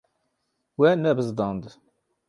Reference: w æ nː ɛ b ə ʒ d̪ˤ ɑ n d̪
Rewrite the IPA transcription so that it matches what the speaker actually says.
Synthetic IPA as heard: w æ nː æ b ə z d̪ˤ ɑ n d̪